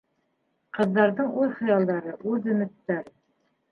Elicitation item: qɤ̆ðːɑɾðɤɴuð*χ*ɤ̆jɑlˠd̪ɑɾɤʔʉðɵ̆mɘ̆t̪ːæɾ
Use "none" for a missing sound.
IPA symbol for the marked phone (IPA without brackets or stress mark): χ